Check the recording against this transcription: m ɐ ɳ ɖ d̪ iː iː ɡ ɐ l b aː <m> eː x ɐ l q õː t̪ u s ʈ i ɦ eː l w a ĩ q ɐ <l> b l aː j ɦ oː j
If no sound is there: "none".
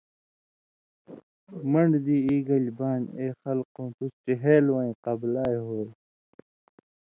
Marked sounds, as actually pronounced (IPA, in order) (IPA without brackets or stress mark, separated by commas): n, none